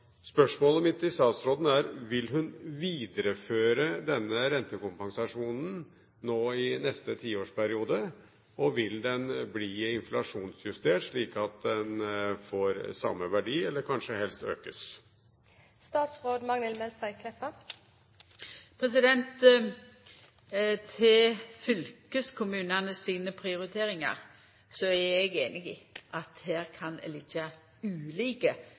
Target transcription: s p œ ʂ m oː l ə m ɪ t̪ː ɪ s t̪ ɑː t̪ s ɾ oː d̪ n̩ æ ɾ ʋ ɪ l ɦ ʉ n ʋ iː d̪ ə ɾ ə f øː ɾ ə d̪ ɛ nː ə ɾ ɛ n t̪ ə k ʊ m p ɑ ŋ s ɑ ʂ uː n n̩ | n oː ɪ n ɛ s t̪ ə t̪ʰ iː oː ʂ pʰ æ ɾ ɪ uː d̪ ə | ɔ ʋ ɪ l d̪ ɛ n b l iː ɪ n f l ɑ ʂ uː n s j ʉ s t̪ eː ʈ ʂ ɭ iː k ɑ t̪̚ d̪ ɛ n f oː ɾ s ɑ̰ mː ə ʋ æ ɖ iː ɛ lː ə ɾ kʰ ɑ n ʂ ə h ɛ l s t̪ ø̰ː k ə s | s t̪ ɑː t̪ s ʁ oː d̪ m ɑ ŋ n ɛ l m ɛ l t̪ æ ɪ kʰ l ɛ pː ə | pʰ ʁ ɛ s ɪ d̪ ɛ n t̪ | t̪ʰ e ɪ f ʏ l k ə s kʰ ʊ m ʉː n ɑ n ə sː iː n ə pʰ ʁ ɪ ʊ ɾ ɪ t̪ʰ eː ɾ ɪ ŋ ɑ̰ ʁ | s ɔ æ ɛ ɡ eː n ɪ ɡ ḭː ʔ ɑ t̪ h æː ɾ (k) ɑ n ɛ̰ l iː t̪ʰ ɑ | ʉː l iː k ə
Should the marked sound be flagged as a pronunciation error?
yes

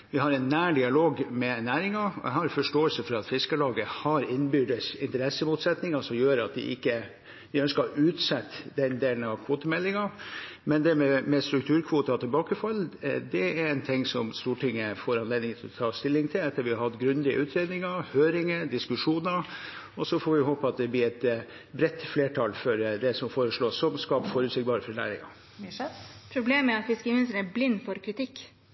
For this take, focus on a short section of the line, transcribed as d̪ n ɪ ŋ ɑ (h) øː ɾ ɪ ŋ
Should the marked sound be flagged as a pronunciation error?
no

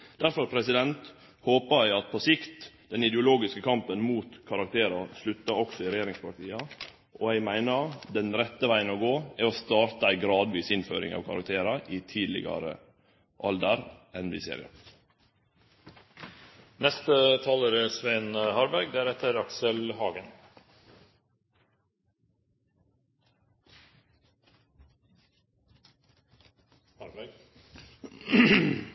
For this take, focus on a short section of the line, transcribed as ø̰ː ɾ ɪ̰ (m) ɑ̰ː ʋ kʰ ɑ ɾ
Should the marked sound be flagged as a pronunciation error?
yes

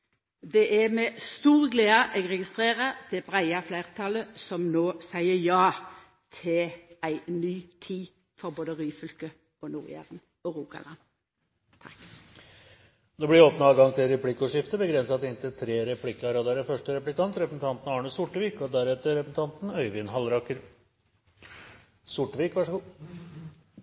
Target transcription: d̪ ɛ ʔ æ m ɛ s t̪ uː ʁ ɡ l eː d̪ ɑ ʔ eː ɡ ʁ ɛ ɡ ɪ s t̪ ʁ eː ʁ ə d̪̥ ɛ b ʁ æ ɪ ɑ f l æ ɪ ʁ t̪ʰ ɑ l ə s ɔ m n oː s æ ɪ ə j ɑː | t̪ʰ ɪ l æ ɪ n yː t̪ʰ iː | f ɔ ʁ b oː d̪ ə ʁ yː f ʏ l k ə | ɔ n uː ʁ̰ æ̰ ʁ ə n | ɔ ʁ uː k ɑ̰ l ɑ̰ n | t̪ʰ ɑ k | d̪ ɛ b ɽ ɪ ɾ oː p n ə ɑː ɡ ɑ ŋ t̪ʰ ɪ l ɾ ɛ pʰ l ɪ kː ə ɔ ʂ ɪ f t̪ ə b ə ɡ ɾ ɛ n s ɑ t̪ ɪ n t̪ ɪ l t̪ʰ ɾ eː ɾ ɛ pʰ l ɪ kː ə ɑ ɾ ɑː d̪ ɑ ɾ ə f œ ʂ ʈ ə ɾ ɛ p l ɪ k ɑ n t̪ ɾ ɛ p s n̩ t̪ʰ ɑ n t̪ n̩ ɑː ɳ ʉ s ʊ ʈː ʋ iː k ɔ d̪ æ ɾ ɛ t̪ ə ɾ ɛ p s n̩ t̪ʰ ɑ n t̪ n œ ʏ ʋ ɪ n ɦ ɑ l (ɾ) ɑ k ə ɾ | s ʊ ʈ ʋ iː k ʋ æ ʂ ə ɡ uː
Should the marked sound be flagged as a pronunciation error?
no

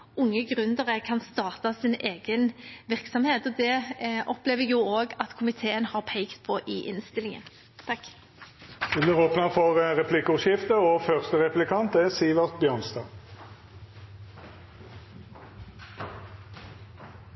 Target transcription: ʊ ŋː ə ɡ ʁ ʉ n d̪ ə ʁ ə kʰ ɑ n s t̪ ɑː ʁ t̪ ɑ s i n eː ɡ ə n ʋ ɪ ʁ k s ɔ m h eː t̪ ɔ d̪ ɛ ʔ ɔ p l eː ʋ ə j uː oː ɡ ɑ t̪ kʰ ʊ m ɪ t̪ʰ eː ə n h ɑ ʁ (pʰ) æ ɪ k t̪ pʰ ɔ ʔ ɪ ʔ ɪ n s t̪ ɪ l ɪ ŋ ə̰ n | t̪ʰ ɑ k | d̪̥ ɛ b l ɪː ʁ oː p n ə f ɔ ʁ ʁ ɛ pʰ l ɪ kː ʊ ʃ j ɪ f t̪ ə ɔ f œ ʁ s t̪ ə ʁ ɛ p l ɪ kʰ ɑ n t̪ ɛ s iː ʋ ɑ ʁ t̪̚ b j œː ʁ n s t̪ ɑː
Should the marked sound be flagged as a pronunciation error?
no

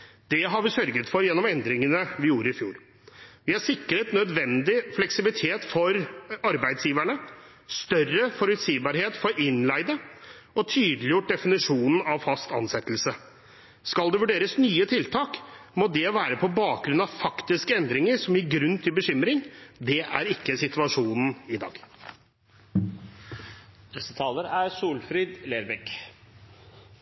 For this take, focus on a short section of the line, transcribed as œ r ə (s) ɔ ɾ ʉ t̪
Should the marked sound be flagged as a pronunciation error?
yes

